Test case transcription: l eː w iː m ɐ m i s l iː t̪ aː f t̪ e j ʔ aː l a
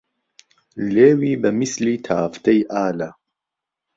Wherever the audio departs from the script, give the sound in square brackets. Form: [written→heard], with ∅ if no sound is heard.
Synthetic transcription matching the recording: l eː w iː [m→b] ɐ m i s l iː [t̪→t̪ʰ] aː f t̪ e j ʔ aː l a